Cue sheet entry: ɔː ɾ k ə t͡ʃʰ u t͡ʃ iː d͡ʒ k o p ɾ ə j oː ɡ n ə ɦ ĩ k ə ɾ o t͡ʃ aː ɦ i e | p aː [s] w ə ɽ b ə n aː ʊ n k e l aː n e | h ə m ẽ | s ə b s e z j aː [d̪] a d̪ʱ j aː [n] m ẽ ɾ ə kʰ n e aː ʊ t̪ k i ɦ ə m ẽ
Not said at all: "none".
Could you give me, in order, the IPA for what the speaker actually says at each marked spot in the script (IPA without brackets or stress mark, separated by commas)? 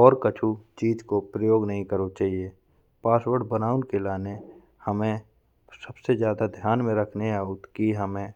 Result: s, d̪, n